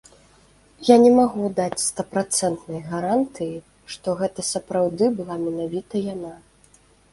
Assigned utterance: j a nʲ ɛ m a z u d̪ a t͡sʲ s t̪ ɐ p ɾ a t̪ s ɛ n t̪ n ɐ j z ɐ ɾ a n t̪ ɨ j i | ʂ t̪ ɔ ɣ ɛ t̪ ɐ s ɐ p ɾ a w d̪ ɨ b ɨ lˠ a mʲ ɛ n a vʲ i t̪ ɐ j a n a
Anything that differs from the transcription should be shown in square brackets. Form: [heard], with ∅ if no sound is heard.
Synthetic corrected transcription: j a nʲ ɛ m a [ɣ] u d̪ a t͡sʲ s t̪ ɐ p ɾ a t̪ s ɛ n t̪ n ɐ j [ɣ] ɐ ɾ a n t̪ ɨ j i | ʂ t̪ ɔ ɣ ɛ t̪ ɐ s ɐ p ɾ a w d̪ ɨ b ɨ lˠ a mʲ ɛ n a vʲ i t̪ ɐ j a n a

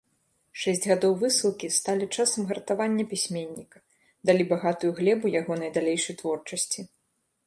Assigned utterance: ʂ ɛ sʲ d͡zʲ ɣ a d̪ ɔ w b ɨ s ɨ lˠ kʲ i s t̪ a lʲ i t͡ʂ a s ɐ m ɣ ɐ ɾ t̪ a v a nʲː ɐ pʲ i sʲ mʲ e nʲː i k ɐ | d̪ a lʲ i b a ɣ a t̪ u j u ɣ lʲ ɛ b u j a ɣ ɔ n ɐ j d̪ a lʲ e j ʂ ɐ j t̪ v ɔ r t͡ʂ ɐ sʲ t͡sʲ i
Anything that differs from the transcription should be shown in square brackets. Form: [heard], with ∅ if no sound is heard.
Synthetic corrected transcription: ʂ ɛ sʲ d͡zʲ ɣ a d̪ ɔ w [v] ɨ s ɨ lˠ kʲ i s t̪ a lʲ i t͡ʂ a s ɐ m ɣ ɐ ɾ t̪ a v a nʲː ɐ pʲ i sʲ mʲ e nʲː i k ɐ | d̪ a lʲ i b a ɣ a t̪ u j u ɣ lʲ ɛ b u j a ɣ ɔ n ɐ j d̪ a lʲ e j ʂ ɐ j t̪ v ɔ r t͡ʂ ɐ sʲ t͡sʲ i

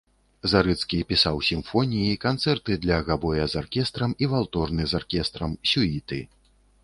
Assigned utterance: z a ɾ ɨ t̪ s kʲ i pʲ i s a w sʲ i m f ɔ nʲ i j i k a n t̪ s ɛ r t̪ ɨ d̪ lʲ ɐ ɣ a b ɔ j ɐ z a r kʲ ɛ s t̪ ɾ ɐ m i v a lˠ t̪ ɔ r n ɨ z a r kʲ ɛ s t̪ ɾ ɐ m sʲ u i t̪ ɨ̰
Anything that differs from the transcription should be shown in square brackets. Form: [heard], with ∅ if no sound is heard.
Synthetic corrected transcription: z a ɾ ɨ t̪ s kʲ i pʲ i s a w sʲ i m f ɔ nʲ i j i k a n t̪ s ɛ r t̪ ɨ d̪ lʲ ɐ ɣ a b ɔ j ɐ z a r kʲ ɛ s t̪ ɾ ɐ m i v a lˠ t̪ ɔ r n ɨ z a r kʲ ɛ s t̪ ɾ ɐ m sʲ u i t̪ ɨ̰

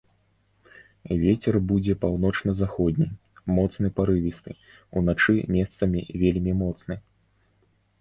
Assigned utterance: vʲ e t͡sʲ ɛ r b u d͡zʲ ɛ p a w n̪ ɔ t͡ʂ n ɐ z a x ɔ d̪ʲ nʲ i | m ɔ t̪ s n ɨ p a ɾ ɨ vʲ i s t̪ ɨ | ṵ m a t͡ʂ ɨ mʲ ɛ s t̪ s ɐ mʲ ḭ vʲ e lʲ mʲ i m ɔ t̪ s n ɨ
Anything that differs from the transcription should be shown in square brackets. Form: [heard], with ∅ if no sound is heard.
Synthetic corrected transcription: vʲ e t͡sʲ ɛ r b u d͡zʲ ɛ p a w n̪ ɔ t͡ʂ n ɐ z a x ɔ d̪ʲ nʲ i | m ɔ t̪ s n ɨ p a ɾ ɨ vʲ i s t̪ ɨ | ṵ [n] a t͡ʂ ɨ mʲ ɛ s t̪ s ɐ mʲ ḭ vʲ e lʲ mʲ i m ɔ t̪ s n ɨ

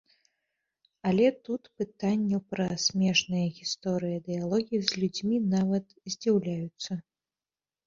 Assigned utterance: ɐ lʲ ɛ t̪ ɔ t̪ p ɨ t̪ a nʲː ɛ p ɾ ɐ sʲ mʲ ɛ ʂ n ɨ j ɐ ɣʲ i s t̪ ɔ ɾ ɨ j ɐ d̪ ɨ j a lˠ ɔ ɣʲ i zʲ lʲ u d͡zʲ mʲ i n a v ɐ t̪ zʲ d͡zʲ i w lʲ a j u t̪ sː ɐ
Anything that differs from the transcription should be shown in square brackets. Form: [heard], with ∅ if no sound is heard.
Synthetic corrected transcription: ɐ lʲ ɛ t̪ [u] t̪ p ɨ t̪ a nʲː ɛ p ɾ ɐ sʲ mʲ ɛ ʂ n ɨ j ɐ ɣʲ i s t̪ ɔ ɾ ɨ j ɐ d̪ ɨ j a lˠ ɔ ɣʲ i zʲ lʲ u d͡zʲ mʲ i n a v ɐ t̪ zʲ d͡zʲ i w lʲ a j u t̪ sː ɐ

